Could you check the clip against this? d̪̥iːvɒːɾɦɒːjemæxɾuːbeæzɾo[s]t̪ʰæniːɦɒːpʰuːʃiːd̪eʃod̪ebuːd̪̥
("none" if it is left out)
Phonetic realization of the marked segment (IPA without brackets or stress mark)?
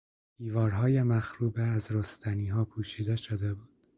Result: s